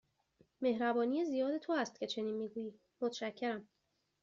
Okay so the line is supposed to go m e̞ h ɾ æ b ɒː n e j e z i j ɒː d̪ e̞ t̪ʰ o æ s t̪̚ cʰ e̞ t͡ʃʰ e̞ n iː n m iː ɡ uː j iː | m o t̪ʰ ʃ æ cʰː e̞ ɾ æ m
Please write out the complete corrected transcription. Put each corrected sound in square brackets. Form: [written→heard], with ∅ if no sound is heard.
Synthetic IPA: m e̞ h ɾ æ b ɒː n [e→i] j e z i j ɒː d̪ e̞ t̪ʰ o æ s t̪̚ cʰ e̞ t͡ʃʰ e̞ n iː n m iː ɡ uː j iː | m o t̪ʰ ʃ æ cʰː e̞ ɾ æ m